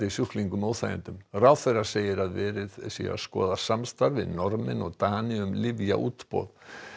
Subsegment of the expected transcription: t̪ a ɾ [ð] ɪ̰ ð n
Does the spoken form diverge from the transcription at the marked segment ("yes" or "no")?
yes